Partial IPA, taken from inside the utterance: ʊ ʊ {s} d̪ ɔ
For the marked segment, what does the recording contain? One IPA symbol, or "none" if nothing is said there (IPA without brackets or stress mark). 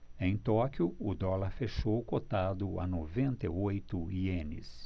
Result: none